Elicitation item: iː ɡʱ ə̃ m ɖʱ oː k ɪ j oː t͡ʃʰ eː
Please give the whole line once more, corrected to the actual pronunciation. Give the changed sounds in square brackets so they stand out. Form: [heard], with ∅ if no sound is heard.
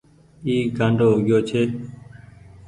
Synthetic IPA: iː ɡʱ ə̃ [ɳ] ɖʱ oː [ɡ] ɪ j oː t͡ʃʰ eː